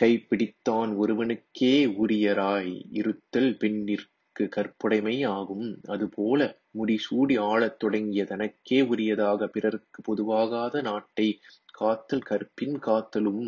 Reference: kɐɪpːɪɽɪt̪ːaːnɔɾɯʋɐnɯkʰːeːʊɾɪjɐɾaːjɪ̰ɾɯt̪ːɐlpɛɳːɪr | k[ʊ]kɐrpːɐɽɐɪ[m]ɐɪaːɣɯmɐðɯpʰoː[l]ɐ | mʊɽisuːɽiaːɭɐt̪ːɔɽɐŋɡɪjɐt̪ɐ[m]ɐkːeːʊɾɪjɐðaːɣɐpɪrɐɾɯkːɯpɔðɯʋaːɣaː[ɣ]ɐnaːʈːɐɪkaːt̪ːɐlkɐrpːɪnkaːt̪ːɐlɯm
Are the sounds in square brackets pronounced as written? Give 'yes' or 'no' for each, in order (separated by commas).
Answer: no, yes, yes, no, no